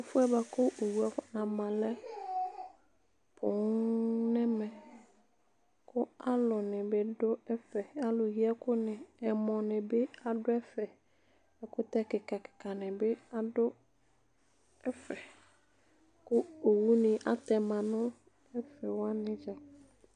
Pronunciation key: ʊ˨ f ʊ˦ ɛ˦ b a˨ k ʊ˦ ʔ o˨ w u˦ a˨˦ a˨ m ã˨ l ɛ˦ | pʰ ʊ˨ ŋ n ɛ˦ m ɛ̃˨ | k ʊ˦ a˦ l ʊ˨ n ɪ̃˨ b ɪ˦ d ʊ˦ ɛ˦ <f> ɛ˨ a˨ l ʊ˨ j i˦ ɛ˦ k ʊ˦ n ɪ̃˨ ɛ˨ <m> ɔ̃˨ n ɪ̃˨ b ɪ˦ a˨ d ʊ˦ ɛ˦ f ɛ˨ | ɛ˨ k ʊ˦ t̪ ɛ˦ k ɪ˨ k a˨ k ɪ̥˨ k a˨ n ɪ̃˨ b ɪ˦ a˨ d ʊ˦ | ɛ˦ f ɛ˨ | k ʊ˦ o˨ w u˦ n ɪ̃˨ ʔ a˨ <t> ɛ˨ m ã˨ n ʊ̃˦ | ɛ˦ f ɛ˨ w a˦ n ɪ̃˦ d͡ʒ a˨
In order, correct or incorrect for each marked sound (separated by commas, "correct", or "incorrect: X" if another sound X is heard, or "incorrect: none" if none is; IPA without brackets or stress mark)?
correct, correct, correct